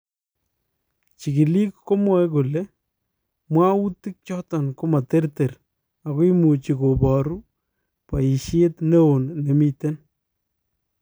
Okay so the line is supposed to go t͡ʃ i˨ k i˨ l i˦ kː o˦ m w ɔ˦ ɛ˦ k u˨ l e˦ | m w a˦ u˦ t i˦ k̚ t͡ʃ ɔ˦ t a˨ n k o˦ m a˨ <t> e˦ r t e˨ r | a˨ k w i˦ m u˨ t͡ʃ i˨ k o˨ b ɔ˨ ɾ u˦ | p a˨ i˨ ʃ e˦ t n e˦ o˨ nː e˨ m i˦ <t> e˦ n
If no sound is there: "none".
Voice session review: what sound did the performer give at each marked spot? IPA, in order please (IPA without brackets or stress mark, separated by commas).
t, t